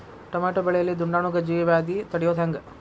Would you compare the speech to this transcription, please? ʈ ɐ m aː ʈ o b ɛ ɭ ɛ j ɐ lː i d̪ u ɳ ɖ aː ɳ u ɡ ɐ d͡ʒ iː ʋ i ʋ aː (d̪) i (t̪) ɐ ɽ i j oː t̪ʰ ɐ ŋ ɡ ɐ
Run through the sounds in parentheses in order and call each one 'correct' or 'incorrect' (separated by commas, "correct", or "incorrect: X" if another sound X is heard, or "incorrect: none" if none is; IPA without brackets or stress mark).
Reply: correct, correct